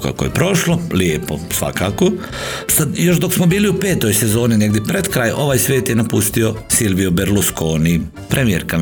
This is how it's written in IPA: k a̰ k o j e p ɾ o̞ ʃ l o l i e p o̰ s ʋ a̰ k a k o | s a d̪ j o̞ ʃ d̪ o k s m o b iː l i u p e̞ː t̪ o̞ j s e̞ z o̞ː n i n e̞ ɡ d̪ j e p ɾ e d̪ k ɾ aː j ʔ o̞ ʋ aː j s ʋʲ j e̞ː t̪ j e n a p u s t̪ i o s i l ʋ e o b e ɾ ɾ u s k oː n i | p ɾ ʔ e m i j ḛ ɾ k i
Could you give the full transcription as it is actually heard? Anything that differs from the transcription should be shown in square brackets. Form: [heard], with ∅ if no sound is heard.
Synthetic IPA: k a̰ k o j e p ɾ o̞ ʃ l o l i e p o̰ s ʋ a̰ k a k o | s a d̪ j o̞ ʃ d̪ o k s m o b iː l i u p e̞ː t̪ o̞ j s e̞ z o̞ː n i n e̞ ɡ d̪ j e p ɾ e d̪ k ɾ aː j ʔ o̞ ʋ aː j s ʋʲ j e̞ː t̪ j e n a p u s t̪ i o s i l ʋ [i] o b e ɾ [l] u s k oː n i | p ɾ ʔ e m i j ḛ ɾ k [a]